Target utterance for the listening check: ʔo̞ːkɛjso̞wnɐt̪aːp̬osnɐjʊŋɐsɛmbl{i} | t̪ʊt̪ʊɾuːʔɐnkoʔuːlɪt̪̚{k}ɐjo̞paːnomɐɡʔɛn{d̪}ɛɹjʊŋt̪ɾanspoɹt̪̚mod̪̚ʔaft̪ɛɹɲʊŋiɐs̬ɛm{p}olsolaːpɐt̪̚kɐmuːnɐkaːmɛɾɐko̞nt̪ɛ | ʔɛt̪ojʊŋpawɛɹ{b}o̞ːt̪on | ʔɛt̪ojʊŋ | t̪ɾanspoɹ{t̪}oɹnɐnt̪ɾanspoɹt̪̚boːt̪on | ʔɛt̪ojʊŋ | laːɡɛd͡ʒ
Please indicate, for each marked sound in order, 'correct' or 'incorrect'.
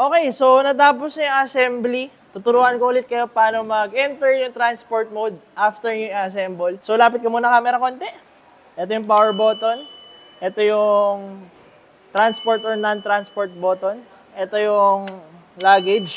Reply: correct, correct, incorrect: t̪, incorrect: b, correct, correct

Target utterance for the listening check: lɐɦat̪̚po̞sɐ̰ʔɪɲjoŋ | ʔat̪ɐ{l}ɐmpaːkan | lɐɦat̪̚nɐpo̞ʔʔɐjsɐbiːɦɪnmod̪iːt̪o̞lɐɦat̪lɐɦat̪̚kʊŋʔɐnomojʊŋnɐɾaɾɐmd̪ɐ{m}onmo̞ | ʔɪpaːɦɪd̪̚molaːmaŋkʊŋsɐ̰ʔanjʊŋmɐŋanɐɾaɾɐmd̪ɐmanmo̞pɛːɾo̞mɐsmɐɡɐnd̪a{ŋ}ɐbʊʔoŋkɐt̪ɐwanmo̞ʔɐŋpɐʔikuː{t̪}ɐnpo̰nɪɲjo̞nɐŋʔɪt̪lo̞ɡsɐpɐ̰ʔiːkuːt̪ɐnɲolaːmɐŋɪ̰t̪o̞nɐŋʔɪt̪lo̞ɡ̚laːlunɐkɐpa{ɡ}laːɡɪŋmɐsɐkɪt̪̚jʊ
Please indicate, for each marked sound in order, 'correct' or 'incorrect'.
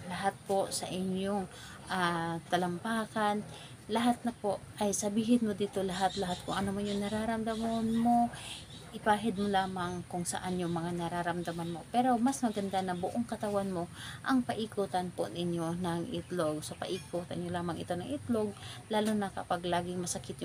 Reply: correct, correct, incorrect: n, correct, correct

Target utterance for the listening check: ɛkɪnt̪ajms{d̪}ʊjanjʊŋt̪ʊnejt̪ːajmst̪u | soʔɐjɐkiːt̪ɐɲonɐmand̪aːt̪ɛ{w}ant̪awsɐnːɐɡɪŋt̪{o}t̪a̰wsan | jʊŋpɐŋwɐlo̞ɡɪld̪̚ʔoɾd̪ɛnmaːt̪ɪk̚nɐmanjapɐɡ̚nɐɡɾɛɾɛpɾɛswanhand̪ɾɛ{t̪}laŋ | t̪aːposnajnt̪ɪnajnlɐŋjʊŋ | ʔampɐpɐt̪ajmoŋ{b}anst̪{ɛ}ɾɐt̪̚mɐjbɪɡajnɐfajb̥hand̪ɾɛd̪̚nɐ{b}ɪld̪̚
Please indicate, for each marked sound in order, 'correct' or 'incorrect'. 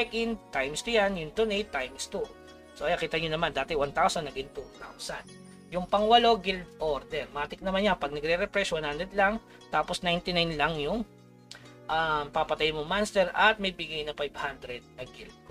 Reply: incorrect: t̪, correct, incorrect: u, incorrect: d̪, incorrect: m, correct, incorrect: ɡ

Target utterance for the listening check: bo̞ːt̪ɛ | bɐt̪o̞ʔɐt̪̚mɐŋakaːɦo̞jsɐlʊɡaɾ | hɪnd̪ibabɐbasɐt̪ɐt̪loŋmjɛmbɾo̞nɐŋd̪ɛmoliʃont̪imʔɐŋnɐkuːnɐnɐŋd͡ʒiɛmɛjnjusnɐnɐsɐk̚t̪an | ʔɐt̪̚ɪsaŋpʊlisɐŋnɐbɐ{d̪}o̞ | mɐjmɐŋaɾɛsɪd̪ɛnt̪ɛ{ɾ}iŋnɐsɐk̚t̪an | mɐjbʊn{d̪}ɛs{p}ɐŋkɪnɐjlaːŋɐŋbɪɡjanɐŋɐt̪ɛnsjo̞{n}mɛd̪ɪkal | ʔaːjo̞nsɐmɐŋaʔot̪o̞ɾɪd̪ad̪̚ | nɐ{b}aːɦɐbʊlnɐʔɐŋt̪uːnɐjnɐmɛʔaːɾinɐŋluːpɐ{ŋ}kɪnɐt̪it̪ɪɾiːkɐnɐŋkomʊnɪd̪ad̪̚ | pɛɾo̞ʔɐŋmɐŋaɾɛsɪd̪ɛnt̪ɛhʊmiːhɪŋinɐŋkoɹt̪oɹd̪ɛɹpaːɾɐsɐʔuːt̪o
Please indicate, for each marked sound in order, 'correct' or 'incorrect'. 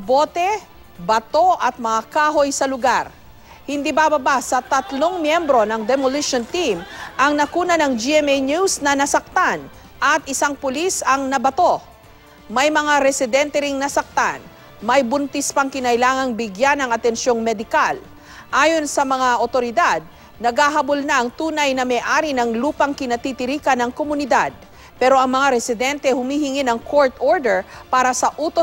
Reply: incorrect: t̪, correct, incorrect: t̪, correct, incorrect: ŋ, incorrect: ɡ, correct

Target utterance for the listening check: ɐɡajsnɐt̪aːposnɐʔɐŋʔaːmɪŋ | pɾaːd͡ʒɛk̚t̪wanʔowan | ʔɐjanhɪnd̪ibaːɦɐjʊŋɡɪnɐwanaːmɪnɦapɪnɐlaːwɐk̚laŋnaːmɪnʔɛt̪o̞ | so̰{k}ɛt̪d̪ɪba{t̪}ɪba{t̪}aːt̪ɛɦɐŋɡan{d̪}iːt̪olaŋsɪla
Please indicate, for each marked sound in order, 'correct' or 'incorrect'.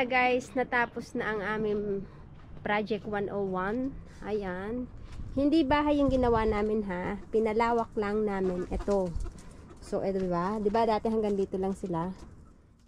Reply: incorrect: ʔ, incorrect: d̪, incorrect: d̪, correct

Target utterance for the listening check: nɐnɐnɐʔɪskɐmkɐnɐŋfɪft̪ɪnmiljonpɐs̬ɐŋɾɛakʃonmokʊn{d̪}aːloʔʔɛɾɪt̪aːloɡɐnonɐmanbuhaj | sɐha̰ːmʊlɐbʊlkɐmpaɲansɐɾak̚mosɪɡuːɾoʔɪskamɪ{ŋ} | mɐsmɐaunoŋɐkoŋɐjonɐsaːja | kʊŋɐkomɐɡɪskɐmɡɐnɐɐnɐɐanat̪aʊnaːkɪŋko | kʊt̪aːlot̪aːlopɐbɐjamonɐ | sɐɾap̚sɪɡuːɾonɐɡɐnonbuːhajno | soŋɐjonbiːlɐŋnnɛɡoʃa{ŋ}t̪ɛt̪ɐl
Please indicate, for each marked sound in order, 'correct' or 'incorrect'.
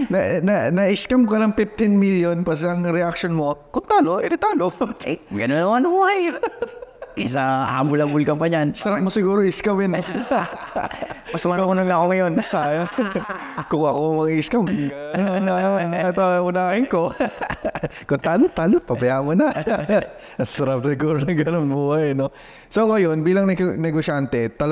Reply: incorrect: t̪, incorrect: n, incorrect: n

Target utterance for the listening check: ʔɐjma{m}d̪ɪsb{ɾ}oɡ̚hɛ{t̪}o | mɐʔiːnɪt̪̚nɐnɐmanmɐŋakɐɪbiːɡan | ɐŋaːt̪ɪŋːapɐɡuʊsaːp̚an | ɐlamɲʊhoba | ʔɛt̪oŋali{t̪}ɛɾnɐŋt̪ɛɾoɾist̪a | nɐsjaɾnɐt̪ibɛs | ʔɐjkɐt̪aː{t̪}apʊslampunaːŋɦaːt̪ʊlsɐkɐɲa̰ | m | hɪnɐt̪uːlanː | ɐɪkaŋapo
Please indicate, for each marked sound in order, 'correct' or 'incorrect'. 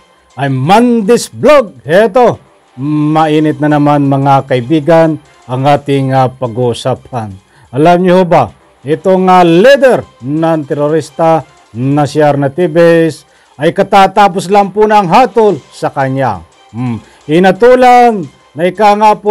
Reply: incorrect: n, incorrect: l, correct, incorrect: d̪, correct

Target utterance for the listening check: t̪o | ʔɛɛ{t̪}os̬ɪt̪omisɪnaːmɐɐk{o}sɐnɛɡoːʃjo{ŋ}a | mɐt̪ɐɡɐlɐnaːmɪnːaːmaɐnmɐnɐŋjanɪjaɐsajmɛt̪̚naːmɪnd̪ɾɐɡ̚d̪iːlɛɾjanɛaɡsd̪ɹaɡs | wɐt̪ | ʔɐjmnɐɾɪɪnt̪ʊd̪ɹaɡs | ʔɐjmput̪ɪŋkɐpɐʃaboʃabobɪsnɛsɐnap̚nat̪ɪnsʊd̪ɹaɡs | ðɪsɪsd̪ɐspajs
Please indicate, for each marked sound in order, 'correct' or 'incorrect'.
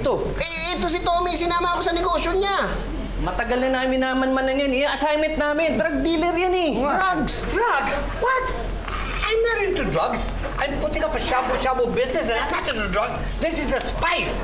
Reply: correct, correct, incorrect: ɲ

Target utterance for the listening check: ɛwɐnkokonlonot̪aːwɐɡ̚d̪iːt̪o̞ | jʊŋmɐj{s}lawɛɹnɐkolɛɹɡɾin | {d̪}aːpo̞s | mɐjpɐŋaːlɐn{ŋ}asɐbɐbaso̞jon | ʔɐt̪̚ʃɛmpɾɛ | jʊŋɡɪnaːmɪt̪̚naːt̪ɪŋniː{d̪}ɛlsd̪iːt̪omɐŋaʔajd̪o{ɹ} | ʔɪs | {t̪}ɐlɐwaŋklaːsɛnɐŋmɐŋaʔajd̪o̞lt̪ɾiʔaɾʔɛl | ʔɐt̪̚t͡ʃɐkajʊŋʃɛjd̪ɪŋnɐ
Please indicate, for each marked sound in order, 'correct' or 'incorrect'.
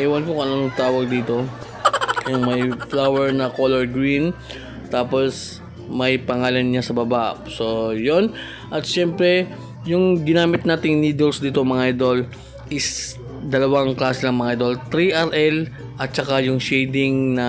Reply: incorrect: f, incorrect: t̪, incorrect: ɲ, correct, incorrect: l, incorrect: d̪

